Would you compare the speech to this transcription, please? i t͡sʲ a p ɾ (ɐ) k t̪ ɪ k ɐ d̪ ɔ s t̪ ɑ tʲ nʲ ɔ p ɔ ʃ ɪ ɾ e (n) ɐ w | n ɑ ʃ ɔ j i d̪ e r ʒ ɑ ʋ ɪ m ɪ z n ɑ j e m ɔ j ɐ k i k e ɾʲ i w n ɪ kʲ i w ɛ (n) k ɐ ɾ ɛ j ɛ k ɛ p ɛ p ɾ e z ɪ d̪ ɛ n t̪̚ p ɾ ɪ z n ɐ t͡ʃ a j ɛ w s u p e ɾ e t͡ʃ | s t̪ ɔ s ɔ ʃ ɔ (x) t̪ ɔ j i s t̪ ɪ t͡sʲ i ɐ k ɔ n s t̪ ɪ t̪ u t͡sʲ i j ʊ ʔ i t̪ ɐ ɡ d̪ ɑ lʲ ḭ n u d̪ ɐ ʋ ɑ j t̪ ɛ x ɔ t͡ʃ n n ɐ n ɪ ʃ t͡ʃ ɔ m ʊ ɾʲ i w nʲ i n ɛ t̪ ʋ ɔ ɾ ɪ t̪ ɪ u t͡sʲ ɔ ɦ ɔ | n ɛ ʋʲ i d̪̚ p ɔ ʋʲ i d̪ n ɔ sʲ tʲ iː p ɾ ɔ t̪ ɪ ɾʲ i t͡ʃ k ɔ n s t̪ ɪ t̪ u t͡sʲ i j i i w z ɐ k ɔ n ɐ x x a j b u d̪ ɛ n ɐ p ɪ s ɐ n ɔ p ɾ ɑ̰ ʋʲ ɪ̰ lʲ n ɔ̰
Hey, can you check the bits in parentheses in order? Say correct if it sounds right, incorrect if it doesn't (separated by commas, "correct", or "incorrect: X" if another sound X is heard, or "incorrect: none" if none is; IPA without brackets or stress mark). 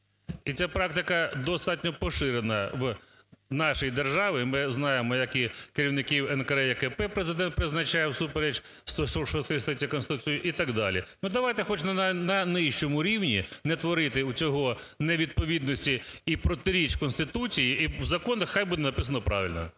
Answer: incorrect: ɑ, correct, correct, incorrect: s